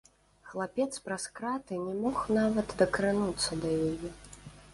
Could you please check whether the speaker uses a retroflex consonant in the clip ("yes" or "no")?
no